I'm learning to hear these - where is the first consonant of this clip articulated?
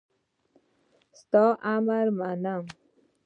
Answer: tongue tip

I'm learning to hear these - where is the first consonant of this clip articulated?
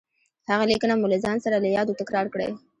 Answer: throat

